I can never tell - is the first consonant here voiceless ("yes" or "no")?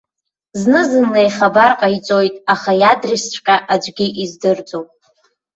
no